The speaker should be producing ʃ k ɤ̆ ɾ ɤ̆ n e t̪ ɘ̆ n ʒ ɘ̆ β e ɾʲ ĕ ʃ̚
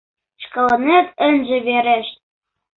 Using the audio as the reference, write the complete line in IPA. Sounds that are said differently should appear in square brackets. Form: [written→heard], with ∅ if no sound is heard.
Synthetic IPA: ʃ k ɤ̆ [ɾ→l] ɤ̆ n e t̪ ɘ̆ n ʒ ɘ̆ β e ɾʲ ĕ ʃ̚